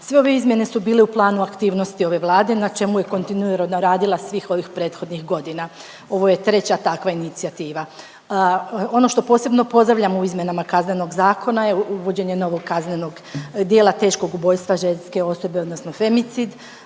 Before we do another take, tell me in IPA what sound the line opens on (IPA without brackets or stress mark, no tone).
s